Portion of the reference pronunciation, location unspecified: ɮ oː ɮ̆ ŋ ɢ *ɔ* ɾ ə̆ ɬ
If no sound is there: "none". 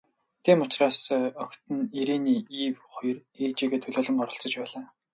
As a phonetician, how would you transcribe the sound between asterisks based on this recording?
ɔ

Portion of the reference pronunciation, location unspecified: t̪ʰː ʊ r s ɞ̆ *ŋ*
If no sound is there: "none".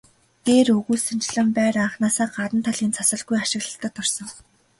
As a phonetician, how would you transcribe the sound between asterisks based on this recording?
ŋ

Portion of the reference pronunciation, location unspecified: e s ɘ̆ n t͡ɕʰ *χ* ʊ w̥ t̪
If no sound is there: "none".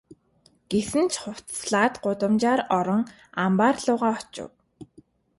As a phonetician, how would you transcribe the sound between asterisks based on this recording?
χ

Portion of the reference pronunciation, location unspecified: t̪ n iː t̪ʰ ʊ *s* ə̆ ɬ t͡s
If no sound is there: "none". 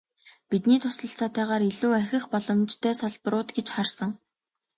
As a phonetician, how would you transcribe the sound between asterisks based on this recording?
s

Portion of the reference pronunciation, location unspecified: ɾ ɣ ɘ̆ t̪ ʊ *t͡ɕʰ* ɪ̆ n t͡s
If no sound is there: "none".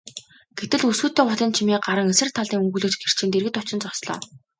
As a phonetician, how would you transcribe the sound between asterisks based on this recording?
t͡ɕ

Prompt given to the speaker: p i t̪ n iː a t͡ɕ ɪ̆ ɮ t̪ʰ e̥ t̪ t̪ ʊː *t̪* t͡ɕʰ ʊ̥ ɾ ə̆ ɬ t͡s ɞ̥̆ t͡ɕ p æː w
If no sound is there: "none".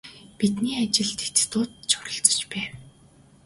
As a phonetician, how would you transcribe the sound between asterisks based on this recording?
t̪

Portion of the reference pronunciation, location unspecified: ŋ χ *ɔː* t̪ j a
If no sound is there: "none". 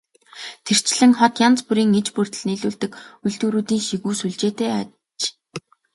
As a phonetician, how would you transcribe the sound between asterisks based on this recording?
ɔ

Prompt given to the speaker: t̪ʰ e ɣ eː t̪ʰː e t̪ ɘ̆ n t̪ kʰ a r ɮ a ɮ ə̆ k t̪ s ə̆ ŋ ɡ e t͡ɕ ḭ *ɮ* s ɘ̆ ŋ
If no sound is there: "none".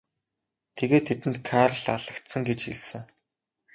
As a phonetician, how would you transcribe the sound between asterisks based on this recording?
ɮ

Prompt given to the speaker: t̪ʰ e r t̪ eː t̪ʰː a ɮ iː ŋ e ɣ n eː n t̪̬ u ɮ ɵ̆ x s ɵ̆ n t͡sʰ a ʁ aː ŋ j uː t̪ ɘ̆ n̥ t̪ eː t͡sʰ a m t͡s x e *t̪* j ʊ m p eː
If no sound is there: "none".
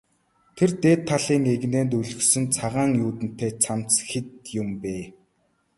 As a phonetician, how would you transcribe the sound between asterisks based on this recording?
t̪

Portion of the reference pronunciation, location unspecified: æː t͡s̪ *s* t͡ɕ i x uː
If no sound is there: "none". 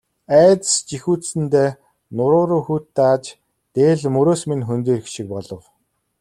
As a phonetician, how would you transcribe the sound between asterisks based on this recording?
s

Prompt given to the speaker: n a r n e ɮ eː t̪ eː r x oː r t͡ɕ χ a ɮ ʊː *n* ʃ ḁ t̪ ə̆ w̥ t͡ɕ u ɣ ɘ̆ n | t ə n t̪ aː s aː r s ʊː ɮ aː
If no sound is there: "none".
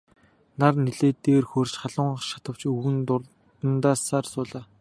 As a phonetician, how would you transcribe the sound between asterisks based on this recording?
ɴ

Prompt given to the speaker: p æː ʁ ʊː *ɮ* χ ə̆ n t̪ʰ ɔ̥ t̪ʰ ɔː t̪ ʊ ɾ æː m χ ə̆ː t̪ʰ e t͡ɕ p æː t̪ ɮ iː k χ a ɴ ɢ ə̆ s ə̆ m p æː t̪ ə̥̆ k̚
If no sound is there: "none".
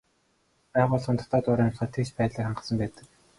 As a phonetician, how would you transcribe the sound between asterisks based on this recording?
ɮ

